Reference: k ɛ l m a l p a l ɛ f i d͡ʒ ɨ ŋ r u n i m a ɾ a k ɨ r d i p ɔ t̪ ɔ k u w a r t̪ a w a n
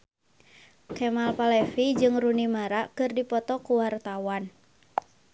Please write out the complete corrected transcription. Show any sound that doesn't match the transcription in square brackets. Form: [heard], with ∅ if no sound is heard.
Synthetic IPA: k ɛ [∅] m a l p a l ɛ f i d͡ʒ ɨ ŋ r u n i m a ɾ a k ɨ r d i p ɔ t̪ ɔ k u w a r t̪ a w a n